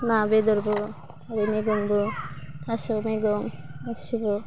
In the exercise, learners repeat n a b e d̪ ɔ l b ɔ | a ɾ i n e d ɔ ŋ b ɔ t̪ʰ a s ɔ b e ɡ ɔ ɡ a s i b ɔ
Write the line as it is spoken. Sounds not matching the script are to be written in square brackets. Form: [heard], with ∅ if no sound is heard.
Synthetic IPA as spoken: n a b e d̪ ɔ [ɾ] b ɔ | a ɾ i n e [ɡ] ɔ ŋ b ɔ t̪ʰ a s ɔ [m] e ɡ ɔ [ŋ] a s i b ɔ